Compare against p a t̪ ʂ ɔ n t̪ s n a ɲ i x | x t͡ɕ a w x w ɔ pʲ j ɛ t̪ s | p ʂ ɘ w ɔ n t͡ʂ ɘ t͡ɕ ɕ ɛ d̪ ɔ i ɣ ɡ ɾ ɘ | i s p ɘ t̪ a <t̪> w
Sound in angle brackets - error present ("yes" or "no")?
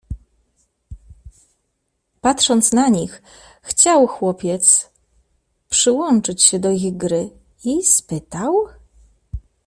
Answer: yes